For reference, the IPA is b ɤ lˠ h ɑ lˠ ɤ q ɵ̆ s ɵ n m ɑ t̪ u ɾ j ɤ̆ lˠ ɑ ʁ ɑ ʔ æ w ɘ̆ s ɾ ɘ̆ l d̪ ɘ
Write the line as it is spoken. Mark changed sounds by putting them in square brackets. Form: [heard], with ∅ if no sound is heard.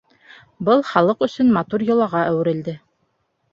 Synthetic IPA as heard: b ɤ lˠ [χ] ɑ lˠ ɤ q ɵ̆ s ɵ n m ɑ t̪ u ɾ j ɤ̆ lˠ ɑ ʁ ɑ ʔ æ w ɘ̆ [∅] ɾ ɘ̆ l d̪ ɘ